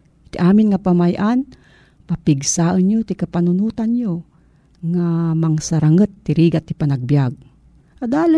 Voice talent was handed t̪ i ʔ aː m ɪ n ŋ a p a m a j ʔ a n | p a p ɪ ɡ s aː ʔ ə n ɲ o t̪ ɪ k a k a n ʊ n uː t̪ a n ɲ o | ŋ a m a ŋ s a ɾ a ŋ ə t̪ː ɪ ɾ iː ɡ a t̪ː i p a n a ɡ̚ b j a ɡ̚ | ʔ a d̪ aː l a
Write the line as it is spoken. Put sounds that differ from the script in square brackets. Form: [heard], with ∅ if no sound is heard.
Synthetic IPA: t̪ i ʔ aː m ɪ n ŋ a p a m a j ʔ a n | p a p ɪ ɡ s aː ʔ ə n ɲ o t̪ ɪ k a [p] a n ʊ n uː t̪ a n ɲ o | ŋ a m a ŋ s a ɾ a ŋ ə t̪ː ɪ ɾ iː ɡ a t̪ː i p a n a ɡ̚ b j a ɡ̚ | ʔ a d̪ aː l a